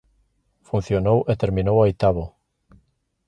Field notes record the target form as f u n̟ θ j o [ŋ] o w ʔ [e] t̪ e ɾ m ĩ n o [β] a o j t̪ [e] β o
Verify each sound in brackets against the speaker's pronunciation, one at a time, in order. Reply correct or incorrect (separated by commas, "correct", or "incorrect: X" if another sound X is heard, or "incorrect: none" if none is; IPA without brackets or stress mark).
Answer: incorrect: n, correct, incorrect: w, incorrect: a